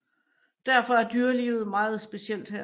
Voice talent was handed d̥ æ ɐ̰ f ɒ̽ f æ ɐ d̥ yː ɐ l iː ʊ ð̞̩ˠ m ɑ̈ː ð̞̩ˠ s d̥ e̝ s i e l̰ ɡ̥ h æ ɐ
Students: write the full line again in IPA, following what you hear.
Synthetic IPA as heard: d̥ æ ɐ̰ f ɒ̽ æ ɐ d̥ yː ɐ l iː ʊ ð̞̩ˠ m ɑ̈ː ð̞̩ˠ s b̥ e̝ s i e l̰ d̥ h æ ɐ